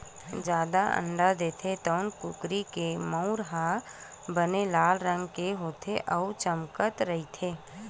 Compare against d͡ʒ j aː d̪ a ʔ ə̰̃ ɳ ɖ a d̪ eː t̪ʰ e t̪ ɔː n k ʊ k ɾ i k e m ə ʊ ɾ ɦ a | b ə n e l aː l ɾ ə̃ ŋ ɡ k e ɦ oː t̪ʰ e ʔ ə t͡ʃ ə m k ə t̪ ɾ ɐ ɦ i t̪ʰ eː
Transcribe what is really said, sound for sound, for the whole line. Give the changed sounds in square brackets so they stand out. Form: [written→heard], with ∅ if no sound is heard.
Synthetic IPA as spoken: d͡ʒ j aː d̪ a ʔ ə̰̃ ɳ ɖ a d̪ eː t̪ʰ e t̪ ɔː n k ʊ k ɾ i k e m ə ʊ ɾ ɦ a | b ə n e l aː l ɾ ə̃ ŋ ɡ k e ɦ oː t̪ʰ e ʔ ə t͡ʃ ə m k ə t̪ ɾ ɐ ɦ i t̪ʰ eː